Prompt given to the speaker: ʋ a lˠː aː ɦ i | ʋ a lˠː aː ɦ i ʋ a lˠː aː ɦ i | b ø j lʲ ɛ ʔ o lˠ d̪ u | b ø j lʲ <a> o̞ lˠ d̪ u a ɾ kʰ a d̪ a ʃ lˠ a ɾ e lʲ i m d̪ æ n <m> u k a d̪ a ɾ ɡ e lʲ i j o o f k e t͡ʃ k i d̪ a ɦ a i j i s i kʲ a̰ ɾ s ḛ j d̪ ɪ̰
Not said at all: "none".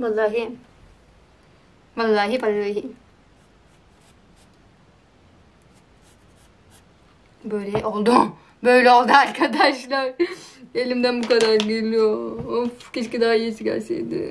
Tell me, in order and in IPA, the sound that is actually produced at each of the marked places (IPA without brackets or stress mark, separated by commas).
ɛ, b